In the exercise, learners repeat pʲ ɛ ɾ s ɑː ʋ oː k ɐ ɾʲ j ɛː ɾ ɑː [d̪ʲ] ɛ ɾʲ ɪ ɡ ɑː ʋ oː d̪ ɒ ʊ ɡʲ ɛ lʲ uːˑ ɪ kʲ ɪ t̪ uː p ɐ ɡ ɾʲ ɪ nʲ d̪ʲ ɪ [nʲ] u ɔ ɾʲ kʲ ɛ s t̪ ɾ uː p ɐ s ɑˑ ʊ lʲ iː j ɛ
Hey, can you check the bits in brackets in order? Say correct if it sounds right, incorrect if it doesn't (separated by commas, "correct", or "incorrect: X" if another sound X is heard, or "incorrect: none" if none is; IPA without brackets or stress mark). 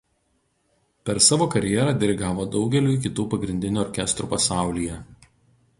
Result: correct, correct